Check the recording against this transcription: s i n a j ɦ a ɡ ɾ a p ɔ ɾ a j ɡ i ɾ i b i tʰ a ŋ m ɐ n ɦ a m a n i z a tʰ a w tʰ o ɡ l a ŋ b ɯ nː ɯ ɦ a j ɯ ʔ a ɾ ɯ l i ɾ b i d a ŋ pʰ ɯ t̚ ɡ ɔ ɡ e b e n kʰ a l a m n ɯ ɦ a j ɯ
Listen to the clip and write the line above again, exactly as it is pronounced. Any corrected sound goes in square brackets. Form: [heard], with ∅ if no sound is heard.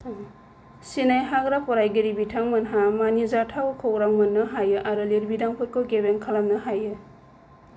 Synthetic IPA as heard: s i n a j ɦ a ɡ ɾ a p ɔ ɾ a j ɡ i ɾ i b i tʰ a ŋ m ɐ n ɦ a m a n i z a tʰ a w [kʰ] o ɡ [ɾ] a ŋ [m] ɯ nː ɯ ɦ a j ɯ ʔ a ɾ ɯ l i ɾ b i d a ŋ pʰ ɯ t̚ [k] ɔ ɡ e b e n kʰ a l a m n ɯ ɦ a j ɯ

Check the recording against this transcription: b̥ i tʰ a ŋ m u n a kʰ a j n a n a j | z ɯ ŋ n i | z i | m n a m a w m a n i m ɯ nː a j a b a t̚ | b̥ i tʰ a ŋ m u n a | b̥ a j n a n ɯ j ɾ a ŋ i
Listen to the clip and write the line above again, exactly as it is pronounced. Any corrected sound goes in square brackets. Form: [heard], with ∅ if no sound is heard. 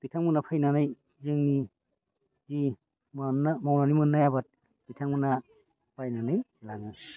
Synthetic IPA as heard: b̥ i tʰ a ŋ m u n a [pʰ] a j n a n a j | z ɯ ŋ n i | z i | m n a m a w [n] a n i m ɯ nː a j a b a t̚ | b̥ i tʰ a ŋ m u n a | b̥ a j n a n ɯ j [l] a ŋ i

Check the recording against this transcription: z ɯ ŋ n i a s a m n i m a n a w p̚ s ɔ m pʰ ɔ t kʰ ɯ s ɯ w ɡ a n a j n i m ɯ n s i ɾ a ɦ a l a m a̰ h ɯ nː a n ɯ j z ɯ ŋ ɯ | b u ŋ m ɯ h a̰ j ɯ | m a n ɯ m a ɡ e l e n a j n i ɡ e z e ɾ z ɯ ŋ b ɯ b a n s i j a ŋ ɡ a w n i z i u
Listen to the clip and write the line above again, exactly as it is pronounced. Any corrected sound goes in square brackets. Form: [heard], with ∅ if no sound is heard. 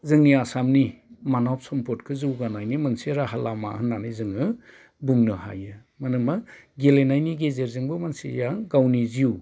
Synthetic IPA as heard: z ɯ ŋ n i a s a m n i m a n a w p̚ s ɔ m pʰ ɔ t kʰ ɯ [z] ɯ w ɡ a n a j n i m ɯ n s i ɾ a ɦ a l a m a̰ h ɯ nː a n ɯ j z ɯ ŋ ɯ | b u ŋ [n] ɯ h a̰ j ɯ | m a n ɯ m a ɡ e l e n a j n i ɡ e z e ɾ z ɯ ŋ b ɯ [m] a n s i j a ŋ ɡ a w n i z i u

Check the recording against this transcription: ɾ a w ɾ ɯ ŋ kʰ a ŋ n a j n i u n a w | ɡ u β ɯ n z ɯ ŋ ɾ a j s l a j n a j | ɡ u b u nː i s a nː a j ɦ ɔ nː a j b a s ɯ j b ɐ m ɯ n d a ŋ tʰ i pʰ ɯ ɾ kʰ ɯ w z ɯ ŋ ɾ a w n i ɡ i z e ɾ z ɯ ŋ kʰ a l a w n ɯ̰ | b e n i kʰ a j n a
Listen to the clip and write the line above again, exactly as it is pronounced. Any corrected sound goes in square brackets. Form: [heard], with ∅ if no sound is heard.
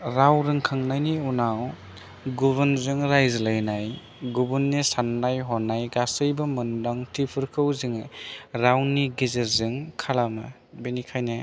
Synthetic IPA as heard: ɾ a w ɾ ɯ ŋ kʰ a ŋ n a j n i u n a w | ɡ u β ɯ n z ɯ ŋ ɾ a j [z] l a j n a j | ɡ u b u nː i s a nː a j ɦ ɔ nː a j [ɡ] a s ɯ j b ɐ m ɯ n d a ŋ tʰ i pʰ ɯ ɾ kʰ ɯ w z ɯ ŋ ɾ a w n i ɡ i z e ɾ z ɯ ŋ kʰ a l a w n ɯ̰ | b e n i kʰ a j n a

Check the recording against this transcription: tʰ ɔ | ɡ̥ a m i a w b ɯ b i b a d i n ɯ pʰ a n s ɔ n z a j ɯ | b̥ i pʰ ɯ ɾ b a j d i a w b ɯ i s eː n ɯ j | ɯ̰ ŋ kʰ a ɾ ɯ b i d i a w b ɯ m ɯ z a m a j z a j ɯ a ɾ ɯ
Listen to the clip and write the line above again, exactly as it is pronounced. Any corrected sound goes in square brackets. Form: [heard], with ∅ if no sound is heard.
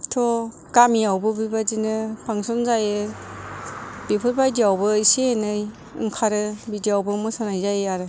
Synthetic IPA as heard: tʰ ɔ | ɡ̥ a m i a w b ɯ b i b a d i n ɯ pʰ a [ŋ] s ɔ n z a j ɯ | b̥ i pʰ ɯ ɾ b a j d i a w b ɯ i s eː n ɯ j | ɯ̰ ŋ kʰ a ɾ ɯ b i d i a w b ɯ m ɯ [s] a [n] a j z a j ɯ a ɾ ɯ

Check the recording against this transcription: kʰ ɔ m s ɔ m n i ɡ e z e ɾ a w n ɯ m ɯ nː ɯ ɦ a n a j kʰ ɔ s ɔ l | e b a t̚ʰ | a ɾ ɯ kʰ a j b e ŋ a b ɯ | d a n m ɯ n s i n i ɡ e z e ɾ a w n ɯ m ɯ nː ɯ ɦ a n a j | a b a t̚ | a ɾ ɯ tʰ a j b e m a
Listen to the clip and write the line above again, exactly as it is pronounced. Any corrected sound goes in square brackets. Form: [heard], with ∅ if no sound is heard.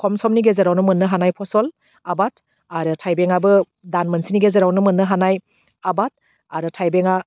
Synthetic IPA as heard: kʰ ɔ m s ɔ m n i ɡ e z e ɾ a w n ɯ m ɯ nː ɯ ɦ a n a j [pʰ] ɔ s ɔ l | [a] b a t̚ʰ | a ɾ ɯ [tʰ] a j b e ŋ a b ɯ | d a n m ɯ n s i n i ɡ e z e ɾ a w n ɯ m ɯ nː ɯ ɦ a n a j | a b a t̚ | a ɾ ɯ tʰ a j b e [ŋ] a

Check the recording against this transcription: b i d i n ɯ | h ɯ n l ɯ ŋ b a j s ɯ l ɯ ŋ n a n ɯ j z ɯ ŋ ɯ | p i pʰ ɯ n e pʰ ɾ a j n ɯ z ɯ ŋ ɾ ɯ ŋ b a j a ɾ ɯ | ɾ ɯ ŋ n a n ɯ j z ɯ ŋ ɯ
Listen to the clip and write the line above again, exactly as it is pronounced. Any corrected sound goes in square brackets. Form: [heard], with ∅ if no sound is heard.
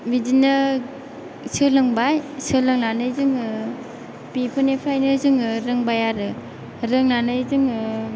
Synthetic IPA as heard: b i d i n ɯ | [s] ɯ [∅] l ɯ ŋ b a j s ɯ l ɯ ŋ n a n ɯ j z ɯ ŋ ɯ | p i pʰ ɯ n e pʰ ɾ a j n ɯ z ɯ ŋ ɾ ɯ ŋ b a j a ɾ ɯ | ɾ ɯ ŋ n a n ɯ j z ɯ ŋ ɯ

